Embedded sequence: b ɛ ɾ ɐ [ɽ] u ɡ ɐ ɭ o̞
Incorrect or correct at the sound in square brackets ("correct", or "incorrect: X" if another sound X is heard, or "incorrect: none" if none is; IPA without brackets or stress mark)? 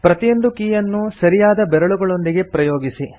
incorrect: ɭ